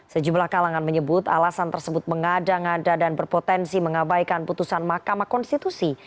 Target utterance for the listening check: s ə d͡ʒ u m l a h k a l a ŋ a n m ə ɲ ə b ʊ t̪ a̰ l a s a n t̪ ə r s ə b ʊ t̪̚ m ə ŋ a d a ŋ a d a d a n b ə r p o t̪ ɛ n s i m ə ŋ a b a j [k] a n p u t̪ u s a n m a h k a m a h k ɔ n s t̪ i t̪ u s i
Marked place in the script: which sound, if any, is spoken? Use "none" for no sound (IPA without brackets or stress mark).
k